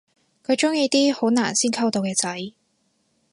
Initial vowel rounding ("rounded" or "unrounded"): rounded